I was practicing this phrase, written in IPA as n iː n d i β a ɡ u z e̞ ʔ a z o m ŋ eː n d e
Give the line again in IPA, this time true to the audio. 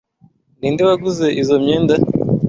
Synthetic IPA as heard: n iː n d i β a ɡ u z e̞ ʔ i z o m ɲ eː n d a